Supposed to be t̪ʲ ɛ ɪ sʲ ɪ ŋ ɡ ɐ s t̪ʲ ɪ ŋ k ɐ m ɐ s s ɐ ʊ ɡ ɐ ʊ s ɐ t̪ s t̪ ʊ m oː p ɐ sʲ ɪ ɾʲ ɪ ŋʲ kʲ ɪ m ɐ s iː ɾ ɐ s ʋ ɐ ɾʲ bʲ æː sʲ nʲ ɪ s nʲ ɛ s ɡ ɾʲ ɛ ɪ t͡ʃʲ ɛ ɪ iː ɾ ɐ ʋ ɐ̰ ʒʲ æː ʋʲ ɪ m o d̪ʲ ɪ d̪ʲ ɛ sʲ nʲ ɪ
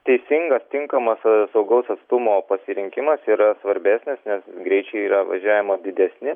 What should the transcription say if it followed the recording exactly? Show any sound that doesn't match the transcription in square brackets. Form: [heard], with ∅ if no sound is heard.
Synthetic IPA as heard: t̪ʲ ɛ ɪ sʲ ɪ ŋ ɡ ɐ s t̪ʲ ɪ ŋ k ɐ m ɐ s s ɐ ʊ ɡ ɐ ʊ s ɐ t̪ s t̪ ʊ m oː p ɐ sʲ ɪ ɾʲ ɪ ŋʲ kʲ ɪ m ɐ s iː ɾ ɐ s ʋ ɐ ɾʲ bʲ æː sʲ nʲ ɪ s nʲ ɛ s ɡ ɾʲ ɛ ɪ t͡ʃʲ ɛ ɪ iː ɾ ɐ ʋ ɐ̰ ʒʲ æː ʋʲ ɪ m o d̪ʲ ɪ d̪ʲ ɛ sʲ nʲ ɪ